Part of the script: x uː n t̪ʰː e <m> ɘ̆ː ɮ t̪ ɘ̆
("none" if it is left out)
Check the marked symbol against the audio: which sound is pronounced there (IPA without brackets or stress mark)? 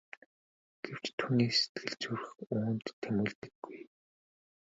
m